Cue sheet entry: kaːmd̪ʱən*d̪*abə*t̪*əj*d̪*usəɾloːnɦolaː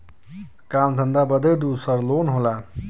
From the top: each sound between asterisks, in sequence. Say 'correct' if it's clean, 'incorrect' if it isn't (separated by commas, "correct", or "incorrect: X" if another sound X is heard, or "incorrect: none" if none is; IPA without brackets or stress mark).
correct, incorrect: d̪, correct